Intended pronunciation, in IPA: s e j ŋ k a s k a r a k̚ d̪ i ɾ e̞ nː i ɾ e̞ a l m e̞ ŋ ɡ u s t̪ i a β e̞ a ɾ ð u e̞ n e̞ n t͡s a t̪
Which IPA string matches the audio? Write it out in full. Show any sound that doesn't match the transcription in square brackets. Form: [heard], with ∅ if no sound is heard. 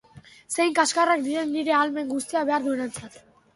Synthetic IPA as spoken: s e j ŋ k a s k a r a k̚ d̪ i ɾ e̞ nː i ɾ e̞ a l m e̞ ŋ ɡ u s t̪ i a β e̞ a ɾ ð u e̞ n e̞ n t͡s a t̪